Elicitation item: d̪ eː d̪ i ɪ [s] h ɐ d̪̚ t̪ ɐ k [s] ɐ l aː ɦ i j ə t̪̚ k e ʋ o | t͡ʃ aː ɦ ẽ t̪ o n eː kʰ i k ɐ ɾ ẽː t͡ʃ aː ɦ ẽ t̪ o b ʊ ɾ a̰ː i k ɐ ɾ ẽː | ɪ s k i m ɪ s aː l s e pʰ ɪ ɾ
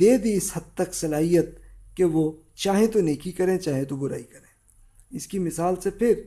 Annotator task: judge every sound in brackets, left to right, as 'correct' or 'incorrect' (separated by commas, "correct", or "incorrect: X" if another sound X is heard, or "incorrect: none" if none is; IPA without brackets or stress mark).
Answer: correct, correct